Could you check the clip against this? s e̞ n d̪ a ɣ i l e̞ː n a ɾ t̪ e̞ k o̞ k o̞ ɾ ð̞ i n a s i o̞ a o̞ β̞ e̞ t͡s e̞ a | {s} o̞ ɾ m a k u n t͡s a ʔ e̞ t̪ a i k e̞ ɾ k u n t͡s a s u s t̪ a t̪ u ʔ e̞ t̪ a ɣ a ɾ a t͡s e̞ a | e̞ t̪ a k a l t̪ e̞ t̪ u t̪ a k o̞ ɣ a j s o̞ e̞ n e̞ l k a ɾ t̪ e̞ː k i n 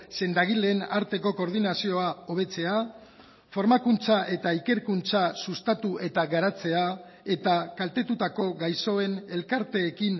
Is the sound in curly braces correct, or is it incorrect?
incorrect